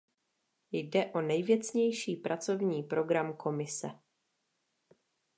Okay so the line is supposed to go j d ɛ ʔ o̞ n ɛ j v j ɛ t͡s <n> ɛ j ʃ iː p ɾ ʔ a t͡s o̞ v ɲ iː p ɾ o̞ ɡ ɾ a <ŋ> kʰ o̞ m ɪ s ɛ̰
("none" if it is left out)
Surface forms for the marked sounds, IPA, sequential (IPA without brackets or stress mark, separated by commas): ɲ, m